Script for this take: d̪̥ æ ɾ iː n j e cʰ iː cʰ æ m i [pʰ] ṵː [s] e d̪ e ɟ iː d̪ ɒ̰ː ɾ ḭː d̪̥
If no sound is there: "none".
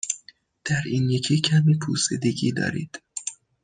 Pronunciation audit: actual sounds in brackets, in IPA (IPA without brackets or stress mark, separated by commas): pʰ, s